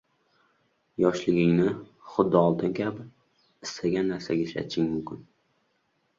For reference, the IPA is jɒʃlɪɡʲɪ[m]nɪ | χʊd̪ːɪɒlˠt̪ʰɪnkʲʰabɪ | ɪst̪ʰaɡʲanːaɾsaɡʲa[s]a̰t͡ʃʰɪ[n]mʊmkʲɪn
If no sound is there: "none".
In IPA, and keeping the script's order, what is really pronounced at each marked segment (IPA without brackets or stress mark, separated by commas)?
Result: ŋ, ʃ, ŋ